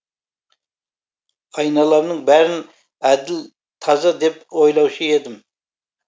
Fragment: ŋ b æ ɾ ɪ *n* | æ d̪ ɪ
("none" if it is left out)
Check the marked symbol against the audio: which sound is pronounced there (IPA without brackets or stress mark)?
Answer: n